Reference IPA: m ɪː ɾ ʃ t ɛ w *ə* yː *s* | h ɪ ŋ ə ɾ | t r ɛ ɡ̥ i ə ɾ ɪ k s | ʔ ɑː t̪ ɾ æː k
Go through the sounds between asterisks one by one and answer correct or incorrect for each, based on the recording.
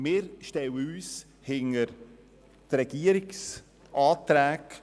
correct, correct

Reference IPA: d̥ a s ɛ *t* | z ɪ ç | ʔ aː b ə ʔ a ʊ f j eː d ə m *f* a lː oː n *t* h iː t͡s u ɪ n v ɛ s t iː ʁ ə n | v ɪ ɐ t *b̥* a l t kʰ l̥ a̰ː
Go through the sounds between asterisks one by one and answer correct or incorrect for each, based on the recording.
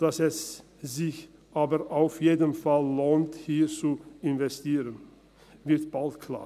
incorrect: s, correct, correct, correct

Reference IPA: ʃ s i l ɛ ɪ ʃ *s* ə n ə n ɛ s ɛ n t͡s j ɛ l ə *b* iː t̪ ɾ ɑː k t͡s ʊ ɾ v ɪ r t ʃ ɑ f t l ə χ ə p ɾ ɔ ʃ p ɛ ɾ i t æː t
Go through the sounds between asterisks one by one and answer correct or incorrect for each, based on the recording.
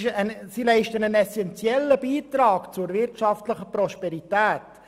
incorrect: t, correct

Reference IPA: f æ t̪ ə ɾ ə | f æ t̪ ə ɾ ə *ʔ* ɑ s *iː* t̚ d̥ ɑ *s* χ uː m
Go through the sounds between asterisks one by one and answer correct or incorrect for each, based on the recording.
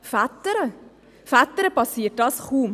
incorrect: p, correct, correct

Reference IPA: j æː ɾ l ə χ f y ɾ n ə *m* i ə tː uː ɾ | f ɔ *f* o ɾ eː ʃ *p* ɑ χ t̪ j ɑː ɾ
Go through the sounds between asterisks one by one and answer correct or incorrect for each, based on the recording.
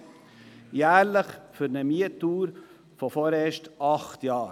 correct, correct, incorrect: t

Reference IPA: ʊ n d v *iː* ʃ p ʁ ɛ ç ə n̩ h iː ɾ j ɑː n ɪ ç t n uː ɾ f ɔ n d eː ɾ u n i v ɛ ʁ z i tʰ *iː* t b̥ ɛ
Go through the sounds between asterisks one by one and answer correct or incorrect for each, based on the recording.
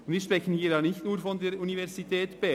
correct, incorrect: ɛː

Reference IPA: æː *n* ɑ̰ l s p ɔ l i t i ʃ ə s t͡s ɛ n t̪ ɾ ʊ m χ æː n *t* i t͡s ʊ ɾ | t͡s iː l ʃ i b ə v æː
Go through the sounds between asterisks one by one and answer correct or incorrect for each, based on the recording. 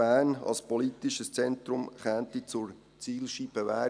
correct, correct

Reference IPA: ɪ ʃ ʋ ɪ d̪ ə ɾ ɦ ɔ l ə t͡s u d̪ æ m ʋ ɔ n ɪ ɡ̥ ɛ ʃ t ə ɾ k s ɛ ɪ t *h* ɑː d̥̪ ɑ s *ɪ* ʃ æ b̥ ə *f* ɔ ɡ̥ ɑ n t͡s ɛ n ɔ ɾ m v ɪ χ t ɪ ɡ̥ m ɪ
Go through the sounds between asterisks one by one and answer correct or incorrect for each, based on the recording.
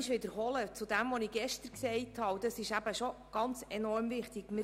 correct, correct, incorrect: ʃ

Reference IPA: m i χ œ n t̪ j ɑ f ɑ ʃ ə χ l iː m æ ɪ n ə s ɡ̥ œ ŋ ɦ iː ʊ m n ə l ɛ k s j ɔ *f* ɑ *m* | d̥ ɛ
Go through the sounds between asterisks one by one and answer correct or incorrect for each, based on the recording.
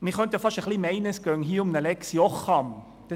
incorrect: χ, correct

